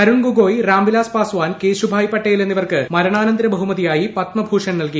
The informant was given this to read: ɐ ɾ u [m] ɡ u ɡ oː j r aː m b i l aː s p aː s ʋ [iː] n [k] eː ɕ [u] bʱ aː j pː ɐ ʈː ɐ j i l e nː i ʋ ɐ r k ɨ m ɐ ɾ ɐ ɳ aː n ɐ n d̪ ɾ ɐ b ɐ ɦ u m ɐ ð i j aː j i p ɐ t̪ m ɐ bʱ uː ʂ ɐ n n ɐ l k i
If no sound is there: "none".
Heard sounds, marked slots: ɳ, aː, k, u

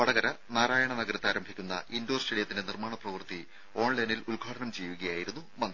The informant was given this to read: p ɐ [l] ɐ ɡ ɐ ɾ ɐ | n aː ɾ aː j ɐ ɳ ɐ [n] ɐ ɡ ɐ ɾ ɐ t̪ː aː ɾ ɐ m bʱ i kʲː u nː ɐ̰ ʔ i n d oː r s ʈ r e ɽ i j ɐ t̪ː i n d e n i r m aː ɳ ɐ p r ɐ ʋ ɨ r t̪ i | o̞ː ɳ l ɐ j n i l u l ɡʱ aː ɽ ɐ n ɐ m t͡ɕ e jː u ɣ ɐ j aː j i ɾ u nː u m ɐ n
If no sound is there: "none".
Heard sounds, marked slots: ɽ, n

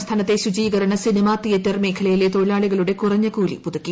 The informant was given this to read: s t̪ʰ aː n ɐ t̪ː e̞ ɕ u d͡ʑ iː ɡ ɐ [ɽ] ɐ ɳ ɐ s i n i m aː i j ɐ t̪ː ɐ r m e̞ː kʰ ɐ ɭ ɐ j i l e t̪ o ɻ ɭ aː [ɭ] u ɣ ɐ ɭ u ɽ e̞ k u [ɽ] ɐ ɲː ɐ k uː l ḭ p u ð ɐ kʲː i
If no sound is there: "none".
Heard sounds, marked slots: ɾ, ɭ, r

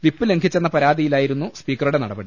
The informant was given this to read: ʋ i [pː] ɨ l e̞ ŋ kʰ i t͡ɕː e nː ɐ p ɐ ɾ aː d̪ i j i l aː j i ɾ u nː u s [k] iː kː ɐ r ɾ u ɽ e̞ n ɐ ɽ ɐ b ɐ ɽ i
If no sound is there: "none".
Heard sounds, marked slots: pː, p

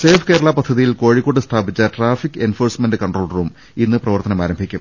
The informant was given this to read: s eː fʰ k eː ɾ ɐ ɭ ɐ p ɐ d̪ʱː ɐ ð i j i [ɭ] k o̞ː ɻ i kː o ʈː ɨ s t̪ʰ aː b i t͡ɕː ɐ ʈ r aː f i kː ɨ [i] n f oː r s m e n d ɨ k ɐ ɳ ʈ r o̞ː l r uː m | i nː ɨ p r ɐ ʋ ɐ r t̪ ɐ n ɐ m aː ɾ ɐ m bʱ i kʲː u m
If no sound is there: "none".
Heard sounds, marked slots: l, e

